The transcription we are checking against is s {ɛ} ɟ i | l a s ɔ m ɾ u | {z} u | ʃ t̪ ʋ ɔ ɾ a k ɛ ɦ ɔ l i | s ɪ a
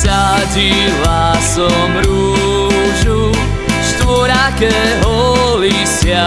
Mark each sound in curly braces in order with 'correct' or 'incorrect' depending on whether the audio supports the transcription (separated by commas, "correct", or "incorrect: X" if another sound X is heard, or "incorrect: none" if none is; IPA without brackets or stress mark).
incorrect: a, incorrect: ʒ